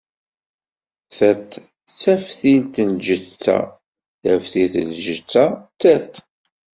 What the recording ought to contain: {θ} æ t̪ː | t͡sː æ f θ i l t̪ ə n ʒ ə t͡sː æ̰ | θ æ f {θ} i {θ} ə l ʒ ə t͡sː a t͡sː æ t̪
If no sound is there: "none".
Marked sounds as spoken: θ, θ, θ

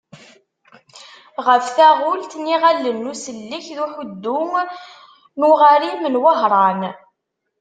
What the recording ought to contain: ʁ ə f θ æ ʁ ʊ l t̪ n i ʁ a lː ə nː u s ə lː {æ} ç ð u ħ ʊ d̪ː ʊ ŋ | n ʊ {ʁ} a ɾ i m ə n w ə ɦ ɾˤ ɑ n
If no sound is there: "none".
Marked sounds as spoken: i, ʁ

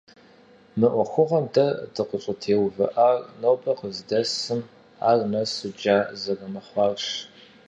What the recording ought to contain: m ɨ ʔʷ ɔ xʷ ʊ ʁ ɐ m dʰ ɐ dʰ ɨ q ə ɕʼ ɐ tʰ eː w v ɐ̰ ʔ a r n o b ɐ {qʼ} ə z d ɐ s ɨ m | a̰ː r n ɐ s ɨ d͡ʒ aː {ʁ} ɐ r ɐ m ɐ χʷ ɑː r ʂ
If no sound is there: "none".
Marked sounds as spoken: q, z

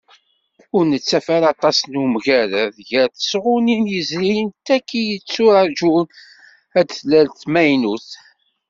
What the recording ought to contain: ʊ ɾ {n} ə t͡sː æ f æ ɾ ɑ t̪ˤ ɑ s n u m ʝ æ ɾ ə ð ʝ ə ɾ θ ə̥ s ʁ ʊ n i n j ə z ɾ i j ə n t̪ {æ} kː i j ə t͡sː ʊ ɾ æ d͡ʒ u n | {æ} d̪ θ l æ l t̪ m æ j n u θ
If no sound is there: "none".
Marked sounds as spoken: n, æ, æ

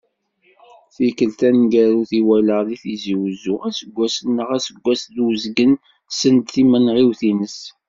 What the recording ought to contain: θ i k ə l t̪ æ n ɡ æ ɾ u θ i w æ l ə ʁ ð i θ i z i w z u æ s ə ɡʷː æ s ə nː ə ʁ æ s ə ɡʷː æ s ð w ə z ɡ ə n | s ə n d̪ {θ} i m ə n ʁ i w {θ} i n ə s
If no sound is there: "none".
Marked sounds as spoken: θ, θ

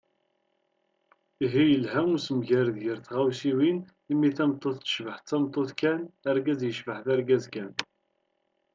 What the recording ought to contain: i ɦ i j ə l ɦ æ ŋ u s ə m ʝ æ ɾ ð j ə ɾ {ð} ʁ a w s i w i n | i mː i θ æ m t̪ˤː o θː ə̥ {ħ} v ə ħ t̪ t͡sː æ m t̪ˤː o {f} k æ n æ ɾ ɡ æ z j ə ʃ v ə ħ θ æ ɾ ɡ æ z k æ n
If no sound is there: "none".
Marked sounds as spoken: θ, ʃ, θ

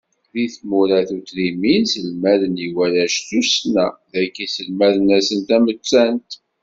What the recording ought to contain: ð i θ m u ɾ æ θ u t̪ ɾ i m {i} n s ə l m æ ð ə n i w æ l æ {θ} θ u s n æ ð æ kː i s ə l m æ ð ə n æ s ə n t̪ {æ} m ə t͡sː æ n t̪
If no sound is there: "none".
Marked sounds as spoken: i, ʃ, æ

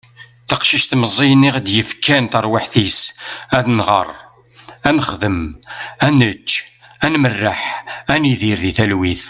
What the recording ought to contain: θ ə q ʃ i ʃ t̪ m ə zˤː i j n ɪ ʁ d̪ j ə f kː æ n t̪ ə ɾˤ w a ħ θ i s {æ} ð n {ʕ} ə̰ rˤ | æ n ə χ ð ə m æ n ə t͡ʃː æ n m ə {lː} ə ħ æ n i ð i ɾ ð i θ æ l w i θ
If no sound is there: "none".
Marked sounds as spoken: æ, ʁ, rː

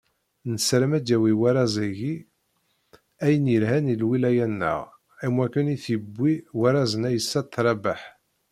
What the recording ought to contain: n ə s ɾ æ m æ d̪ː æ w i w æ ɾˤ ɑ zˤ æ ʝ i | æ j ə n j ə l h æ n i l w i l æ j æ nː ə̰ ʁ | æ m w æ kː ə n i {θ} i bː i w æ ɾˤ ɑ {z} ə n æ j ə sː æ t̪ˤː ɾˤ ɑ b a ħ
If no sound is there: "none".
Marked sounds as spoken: θ, z

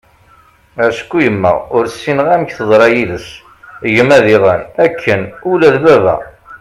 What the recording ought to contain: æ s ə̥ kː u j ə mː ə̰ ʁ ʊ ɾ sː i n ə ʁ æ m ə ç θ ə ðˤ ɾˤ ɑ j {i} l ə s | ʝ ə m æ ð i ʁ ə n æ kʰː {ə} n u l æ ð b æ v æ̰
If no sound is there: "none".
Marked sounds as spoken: i, ə

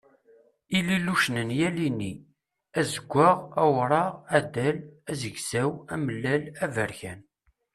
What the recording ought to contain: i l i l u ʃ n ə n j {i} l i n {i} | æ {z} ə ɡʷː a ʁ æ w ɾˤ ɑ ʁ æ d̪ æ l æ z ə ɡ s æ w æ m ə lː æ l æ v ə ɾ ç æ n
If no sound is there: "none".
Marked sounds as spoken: æ, i, z

